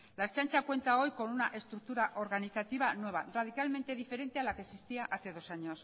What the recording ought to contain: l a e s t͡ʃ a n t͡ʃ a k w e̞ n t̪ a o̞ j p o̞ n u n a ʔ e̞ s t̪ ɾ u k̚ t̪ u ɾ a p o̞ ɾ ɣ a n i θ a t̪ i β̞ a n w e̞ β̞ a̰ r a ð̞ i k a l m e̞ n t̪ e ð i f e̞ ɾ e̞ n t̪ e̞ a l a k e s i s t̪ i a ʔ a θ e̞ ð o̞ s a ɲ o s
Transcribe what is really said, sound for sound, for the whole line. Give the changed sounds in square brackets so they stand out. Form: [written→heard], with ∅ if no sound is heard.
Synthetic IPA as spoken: l a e s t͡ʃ a n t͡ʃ a k w e̞ n t̪ a o̞ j [p→k] o̞ n u n a ʔ e̞ s t̪ ɾ u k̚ t̪ u ɾ a [p→ʔ] o̞ ɾ ɣ a n i θ a t̪ i β̞ a n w e̞ β̞ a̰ r a ð̞ i k a l m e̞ n t̪ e ð i f e̞ ɾ e̞ n t̪ e̞ a l a k e s i s t̪ i a ʔ a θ e̞ ð o̞ s a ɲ o s